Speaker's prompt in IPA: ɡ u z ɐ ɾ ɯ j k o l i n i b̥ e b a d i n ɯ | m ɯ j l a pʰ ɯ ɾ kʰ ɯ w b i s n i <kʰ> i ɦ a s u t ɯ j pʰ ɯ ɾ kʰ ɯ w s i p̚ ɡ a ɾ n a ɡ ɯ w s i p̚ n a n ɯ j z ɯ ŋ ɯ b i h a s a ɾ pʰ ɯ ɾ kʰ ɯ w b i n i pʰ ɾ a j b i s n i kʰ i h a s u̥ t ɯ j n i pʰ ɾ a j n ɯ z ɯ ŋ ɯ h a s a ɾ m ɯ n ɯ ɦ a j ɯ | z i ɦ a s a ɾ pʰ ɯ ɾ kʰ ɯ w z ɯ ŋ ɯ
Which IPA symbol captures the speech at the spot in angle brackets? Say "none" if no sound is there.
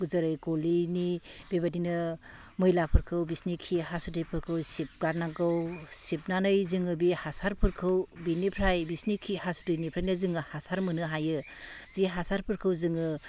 kʰ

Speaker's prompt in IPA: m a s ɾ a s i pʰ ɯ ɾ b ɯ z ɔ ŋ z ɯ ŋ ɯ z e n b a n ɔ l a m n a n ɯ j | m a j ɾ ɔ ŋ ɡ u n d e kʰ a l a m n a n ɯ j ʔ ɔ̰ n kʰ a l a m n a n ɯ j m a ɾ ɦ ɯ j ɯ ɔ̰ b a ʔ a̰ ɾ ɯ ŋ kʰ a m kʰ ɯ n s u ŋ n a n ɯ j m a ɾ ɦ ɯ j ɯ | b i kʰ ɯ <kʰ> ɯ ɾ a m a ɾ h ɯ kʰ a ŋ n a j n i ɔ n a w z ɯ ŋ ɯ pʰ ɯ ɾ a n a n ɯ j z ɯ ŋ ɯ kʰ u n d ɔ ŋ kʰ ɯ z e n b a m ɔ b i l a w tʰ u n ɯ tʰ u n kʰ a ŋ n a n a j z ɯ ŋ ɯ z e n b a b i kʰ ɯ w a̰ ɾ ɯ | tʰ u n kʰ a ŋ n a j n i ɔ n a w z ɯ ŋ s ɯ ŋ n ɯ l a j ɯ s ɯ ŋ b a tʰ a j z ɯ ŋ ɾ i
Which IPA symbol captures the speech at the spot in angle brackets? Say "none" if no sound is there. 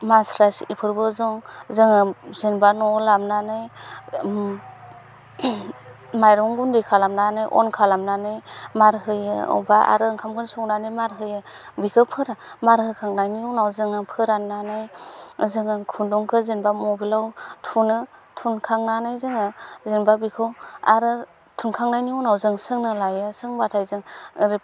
pʰ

